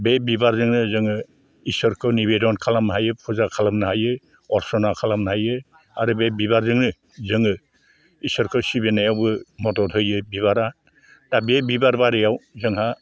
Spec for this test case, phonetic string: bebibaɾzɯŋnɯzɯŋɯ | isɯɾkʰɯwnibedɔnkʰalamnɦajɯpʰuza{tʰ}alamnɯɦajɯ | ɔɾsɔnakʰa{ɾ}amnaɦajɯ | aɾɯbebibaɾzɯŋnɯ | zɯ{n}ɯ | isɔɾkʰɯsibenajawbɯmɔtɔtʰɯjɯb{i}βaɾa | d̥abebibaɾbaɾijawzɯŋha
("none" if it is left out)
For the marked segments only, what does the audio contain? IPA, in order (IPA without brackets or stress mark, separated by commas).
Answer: kʰ, l, ŋ, i